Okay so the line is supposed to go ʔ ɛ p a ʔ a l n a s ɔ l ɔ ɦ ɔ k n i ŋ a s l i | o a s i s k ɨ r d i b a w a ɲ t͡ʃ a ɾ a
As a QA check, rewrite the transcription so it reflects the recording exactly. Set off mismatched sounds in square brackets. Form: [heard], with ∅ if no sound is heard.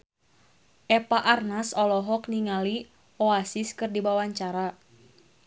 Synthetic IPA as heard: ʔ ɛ p a ʔ a [r] n a s ɔ l ɔ ɦ ɔ k n i ŋ a [∅] l i | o a s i s k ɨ r d i b a w a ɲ t͡ʃ a ɾ a